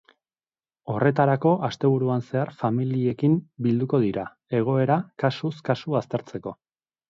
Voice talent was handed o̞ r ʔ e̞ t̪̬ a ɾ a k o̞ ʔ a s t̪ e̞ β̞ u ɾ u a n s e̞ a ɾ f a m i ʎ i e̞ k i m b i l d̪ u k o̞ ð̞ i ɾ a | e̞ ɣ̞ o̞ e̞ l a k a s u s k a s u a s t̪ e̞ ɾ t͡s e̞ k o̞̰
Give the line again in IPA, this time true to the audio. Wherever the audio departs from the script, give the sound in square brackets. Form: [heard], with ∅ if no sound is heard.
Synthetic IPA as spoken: o̞ r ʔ e̞ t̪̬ a ɾ a k o̞ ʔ a s t̪ e̞ β̞ u ɾ u a n s e̞ a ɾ f a m i [l] i e̞ k i m b i l d̪ u k o̞ ð̞ i ɾ a | e̞ ɣ̞ o̞ e̞ [ɾ] a k a s u s k a s u a s t̪ e̞ ɾ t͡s e̞ k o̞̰